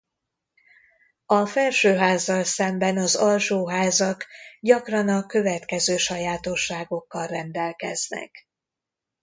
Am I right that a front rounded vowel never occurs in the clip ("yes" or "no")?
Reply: no